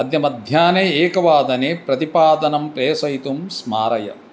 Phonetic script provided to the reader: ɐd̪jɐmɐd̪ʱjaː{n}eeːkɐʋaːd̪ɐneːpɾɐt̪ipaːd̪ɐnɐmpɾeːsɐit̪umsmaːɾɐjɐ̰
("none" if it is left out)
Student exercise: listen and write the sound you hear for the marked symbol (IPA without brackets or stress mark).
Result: n